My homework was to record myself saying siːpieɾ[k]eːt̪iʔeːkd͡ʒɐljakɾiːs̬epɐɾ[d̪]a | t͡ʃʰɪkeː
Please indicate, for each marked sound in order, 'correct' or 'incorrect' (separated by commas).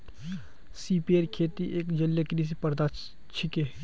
incorrect, correct